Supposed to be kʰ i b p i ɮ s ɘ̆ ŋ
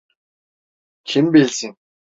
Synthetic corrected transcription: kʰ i m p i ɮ s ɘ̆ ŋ